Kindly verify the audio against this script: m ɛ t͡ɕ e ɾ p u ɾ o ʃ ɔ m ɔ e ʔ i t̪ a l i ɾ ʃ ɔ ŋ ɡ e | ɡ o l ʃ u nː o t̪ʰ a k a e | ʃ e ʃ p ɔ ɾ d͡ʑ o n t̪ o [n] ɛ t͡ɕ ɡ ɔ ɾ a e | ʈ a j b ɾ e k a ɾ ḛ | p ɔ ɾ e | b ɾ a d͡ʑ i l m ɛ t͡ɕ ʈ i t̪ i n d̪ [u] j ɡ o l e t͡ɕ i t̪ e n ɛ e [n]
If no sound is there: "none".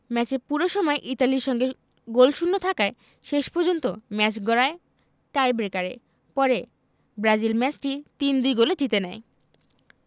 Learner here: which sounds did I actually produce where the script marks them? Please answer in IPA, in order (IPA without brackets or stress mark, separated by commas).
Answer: m, u, none